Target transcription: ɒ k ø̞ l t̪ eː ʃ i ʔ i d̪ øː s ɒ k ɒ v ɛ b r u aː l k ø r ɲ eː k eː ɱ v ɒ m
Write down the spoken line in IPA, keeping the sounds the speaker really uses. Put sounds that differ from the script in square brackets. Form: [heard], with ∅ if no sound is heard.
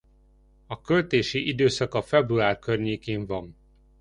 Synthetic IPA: ɒ k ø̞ l t̪ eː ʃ i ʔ i d̪ øː s ɒ k ɒ [f] ɛ b r u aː [r] k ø r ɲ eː k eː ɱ v ɒ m